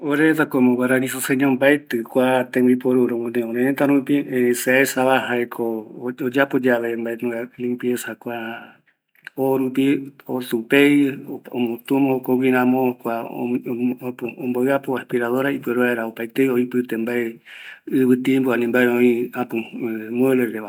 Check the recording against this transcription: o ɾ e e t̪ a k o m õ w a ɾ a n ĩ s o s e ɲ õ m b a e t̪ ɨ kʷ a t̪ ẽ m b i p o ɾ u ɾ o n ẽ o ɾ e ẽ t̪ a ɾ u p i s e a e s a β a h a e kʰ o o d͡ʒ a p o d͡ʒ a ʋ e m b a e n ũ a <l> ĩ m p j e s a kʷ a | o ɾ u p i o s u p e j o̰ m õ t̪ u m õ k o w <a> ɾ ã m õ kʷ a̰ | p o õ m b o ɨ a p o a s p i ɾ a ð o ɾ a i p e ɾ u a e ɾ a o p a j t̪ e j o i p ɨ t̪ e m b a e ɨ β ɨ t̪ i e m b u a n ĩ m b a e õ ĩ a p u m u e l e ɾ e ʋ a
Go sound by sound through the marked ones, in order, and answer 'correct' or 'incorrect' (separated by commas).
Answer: correct, incorrect